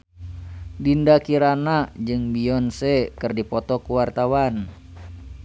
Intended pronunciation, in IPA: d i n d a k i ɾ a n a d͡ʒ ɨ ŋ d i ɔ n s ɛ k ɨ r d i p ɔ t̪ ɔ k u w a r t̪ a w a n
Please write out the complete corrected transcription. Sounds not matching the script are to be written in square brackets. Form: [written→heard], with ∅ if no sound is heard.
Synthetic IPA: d i n d a k i ɾ a n a d͡ʒ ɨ ŋ [d→b] i ɔ n s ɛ k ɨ r d i p ɔ t̪ ɔ k u w a r t̪ a w a n